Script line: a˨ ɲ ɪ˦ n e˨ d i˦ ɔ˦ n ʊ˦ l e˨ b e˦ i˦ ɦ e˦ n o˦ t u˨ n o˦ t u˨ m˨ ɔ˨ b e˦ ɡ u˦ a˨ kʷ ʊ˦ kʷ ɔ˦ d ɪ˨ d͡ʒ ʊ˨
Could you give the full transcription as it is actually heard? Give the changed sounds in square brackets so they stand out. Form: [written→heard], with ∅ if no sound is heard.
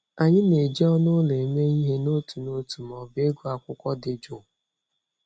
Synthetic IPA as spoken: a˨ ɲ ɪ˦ n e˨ [d→d͡ʒ] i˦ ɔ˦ n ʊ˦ l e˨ [b→m] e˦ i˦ ɦ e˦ n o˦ t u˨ n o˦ t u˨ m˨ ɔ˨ b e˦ ɡ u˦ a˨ kʷ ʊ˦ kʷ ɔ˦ d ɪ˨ d͡ʒ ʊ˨